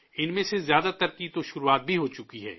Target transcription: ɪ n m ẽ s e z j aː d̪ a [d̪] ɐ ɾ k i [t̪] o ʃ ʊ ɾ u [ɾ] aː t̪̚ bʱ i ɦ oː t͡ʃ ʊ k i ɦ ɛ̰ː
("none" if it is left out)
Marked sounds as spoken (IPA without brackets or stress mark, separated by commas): t̪, t̪, none